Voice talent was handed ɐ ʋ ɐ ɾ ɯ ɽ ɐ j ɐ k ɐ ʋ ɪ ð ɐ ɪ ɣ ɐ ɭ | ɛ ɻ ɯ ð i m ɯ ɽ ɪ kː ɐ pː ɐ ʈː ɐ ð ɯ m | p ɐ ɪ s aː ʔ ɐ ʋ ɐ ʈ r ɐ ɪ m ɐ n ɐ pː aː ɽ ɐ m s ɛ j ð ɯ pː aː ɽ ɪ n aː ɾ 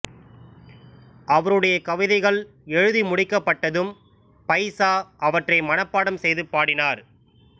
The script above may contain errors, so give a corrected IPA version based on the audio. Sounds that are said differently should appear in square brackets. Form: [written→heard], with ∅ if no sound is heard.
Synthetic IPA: ɐ ʋ ɐ ɾ ɯ ɽ ɐ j ɐ k ɐ ʋ ɪ ð ɐ ɪ ɣ ɐ ɭ | ɛ ɻ ɯ ð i m [ɯ→ʊ] ɽ ɪ kː ɐ pː ɐ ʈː ɐ ð ɯ m | p ɐ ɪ s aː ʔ ɐ ʋ ɐ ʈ r ɐ ɪ m ɐ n ɐ pː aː ɽ ɐ m s ɛ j ð ɯ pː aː ɽ ɪ n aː ɾ